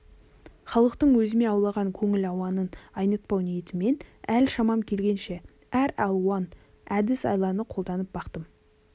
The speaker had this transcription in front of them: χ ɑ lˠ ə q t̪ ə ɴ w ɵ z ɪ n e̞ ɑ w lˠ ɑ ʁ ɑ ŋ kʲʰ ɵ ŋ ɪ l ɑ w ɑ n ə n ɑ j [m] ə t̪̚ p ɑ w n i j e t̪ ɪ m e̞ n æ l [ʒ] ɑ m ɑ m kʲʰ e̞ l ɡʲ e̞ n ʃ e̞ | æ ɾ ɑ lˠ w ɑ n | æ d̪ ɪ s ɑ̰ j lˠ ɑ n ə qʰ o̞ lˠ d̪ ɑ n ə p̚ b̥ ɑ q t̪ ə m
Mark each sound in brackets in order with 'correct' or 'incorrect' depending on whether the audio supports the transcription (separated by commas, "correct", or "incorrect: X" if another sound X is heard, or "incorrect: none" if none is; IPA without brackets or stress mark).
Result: incorrect: n, incorrect: ʃ